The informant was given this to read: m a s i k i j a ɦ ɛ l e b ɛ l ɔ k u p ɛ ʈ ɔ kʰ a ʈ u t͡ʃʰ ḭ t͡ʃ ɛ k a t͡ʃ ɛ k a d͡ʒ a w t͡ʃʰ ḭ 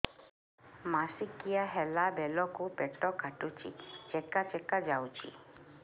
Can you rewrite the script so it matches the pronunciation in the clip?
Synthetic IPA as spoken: m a s i k i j a ɦ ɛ l a b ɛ l ɔ k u p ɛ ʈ ɔ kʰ a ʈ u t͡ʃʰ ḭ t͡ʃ ɛ k a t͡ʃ ɛ k a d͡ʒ a w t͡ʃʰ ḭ